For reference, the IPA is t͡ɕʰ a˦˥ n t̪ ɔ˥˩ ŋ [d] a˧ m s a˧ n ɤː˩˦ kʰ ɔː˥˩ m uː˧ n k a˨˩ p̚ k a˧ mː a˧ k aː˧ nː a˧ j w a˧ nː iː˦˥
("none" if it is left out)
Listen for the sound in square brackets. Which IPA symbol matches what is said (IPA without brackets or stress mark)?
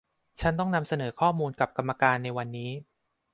n